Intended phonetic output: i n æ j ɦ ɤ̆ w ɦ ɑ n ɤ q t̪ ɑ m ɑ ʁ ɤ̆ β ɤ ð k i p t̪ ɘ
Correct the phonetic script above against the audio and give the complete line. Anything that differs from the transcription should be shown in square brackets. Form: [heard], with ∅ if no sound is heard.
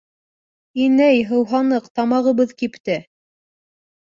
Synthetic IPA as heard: i n æ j ɦ ɤ̆ w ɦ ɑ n ɤ q t̪ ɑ m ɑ ʁ ɤ̆ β ɤ ð k i p t̪ ɘ